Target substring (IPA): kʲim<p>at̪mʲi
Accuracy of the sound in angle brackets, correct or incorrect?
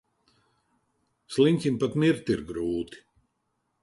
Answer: correct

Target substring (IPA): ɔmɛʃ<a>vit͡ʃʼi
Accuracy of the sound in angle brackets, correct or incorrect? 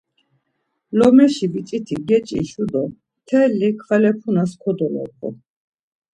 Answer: incorrect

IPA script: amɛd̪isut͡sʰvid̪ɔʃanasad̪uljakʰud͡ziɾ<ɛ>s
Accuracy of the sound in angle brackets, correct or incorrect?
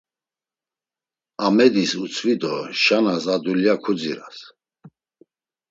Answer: incorrect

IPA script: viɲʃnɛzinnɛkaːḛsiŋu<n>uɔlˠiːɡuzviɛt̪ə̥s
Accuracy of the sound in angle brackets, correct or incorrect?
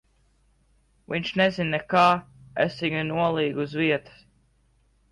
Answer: correct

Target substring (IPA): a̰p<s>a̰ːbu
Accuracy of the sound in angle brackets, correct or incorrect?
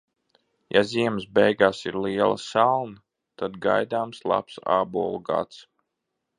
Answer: correct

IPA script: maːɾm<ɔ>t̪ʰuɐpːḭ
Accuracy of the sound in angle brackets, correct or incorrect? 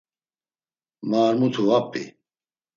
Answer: incorrect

